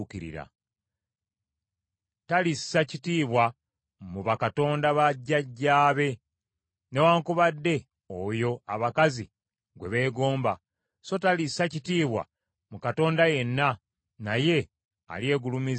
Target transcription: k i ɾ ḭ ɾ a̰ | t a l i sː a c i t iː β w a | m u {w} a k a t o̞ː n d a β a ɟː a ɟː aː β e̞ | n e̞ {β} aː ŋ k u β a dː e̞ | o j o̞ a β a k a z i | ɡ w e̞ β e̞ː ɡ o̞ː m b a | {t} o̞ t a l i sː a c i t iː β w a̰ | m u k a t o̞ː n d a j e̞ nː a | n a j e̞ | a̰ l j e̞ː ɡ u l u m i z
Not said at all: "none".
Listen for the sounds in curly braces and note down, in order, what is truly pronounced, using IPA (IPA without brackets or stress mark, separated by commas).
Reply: β, w, s